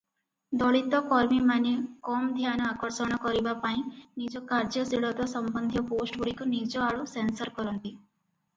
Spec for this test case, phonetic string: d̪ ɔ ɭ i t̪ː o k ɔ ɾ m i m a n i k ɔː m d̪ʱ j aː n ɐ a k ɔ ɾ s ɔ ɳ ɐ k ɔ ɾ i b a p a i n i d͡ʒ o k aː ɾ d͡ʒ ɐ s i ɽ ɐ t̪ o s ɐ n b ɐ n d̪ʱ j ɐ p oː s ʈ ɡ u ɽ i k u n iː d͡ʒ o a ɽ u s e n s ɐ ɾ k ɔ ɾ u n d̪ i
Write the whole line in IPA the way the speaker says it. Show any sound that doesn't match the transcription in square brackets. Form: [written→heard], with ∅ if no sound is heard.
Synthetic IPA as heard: d̪ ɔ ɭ i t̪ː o k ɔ ɾ m i m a n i k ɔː m d̪ʱ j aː n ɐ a k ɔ ɾ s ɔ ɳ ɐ k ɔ ɾ i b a p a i n i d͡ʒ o k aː ɾ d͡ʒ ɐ s i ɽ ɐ t̪ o s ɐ [n→m] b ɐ n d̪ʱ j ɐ p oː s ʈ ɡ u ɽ i k u n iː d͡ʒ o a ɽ u s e n s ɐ ɾ k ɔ ɾ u n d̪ i